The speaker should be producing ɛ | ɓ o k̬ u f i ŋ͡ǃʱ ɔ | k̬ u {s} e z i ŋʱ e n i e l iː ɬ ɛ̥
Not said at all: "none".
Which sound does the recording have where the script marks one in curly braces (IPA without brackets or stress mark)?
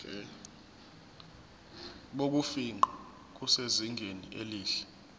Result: s